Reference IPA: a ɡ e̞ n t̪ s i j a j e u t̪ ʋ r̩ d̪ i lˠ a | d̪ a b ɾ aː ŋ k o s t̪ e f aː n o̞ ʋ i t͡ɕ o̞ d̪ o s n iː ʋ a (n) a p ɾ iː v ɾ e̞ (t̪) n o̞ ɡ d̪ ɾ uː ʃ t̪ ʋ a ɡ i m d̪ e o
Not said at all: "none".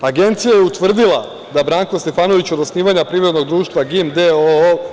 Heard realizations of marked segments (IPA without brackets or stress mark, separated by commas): ɲ, d̪